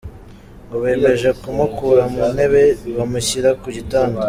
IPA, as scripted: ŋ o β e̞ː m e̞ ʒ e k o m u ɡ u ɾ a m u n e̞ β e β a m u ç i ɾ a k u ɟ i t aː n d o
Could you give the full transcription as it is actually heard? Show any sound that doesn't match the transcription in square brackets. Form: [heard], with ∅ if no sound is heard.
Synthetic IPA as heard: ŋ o β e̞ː m e̞ ʒ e k [u] m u [k] u ɾ a m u n e̞ β e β a m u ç i ɾ a k u ɟ i t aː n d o